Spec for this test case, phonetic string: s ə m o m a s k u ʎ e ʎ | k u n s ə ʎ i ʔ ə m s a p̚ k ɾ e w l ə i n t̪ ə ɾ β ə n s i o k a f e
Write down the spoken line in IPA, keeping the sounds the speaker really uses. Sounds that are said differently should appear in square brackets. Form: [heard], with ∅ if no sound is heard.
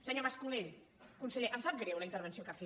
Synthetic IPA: s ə [ɲ] o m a s k u [l] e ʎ | k u n s ə ʎ [e] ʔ ə m s a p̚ [ɡ] ɾ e w l ə i n t̪ ə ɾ β ə n s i o k a f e